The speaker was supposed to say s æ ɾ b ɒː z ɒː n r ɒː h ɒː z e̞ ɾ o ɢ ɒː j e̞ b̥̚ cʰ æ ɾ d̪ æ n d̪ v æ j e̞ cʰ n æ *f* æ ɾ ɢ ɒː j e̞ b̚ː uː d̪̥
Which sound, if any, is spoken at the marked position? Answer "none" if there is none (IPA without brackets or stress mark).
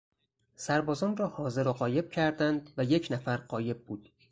f